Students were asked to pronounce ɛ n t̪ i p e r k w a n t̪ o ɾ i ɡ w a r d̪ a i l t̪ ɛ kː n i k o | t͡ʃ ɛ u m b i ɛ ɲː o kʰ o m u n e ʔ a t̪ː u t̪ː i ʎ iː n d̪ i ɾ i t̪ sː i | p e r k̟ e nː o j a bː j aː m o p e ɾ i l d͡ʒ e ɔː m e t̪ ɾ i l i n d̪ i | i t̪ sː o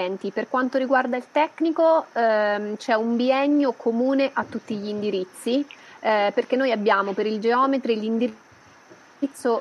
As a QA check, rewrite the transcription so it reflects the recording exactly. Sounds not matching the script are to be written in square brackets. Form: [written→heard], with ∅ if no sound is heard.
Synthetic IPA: ɛ n t̪ i p e r k w a n t̪ o ɾ i ɡ w a r d̪ a i l t̪ ɛ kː n i k o | t͡ʃ ɛ u m b i ɛ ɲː o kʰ o m [u→uː] n e ʔ a t̪ː u t̪ː i ʎ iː n d̪ i ɾ i t̪ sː i | p e r k̟ e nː o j a bː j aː m o p e ɾ i l d͡ʒ e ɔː m e t̪ ɾ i l i n d̪ i | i t̪ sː o